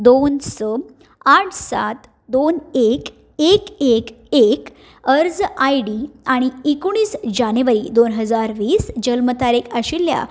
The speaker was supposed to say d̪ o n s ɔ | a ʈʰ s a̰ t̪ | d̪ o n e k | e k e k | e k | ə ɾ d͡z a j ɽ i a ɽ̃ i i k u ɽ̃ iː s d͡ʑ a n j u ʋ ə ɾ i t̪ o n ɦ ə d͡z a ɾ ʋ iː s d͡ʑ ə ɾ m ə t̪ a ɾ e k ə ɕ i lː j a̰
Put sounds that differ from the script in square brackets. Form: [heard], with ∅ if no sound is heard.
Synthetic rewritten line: d̪ o n s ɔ | a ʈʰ s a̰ t̪ | d̪ o n e k | e k e k | e k | ə ɾ d͡z a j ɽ i a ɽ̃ i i k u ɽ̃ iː s d͡ʑ a n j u ʋ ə ɾ i [d̪] o n ɦ ə d͡z a ɾ ʋ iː s d͡ʑ ə [l] m ə t̪ a ɾ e k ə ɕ i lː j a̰